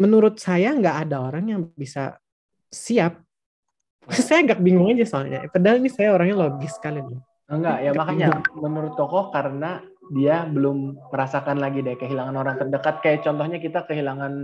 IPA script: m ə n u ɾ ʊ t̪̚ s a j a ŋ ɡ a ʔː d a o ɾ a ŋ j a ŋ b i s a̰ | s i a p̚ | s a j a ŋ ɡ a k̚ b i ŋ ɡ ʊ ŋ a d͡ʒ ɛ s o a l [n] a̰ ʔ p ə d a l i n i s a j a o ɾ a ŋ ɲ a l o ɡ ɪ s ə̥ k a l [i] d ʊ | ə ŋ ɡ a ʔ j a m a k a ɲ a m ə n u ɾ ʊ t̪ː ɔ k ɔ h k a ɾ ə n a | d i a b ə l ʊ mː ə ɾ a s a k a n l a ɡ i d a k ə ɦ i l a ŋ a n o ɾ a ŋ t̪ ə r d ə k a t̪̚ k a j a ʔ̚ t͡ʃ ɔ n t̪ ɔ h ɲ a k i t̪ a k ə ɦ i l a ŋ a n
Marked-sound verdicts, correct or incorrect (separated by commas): incorrect, correct